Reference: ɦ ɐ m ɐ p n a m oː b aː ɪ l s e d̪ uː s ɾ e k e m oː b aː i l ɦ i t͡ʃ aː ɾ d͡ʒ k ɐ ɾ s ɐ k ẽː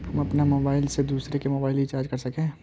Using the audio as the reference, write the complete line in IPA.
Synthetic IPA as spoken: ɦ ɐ m ɐ p n a m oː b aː ɪ l s e d̪ uː s ɾ e k e m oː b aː ɪ l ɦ i t͡ʃ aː ɾ d͡ʒ k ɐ ɾ s ɐ k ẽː